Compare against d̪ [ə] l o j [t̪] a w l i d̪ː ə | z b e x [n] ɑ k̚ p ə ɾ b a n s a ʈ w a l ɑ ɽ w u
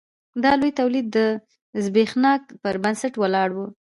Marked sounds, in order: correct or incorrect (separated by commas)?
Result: incorrect, correct, correct